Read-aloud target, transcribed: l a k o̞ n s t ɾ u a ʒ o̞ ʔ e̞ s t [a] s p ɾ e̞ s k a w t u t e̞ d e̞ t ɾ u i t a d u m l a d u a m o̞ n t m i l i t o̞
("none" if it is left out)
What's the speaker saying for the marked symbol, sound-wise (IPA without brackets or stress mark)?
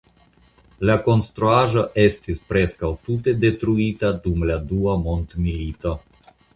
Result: i